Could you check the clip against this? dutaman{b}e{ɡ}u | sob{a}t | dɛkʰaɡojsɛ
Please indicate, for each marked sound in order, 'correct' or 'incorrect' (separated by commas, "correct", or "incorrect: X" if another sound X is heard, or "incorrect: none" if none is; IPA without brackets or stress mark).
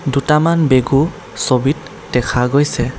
correct, correct, incorrect: i